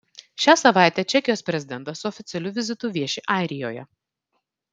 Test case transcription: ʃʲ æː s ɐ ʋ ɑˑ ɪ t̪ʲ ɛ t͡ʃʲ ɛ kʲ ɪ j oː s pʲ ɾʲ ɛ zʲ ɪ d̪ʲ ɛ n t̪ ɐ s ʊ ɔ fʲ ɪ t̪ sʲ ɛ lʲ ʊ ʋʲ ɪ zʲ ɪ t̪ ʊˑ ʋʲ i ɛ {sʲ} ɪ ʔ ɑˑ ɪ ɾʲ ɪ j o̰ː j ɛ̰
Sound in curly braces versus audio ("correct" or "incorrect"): incorrect